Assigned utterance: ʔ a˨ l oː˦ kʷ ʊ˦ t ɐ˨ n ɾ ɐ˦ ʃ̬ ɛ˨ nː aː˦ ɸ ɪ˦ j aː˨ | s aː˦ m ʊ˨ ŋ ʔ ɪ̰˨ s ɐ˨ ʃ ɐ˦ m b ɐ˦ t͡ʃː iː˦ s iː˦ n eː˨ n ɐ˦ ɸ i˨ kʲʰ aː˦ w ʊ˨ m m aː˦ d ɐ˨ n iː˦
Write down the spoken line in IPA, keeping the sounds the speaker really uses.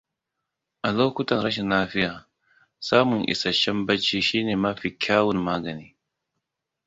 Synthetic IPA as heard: ʔ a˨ l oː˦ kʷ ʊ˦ t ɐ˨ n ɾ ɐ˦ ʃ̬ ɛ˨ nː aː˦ ɸ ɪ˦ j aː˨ | s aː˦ m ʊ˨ ŋ ʔ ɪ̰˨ s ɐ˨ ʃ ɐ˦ m b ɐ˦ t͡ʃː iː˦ ʃ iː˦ n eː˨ m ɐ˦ ɸ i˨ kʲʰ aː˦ w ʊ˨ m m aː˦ ɡ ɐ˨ n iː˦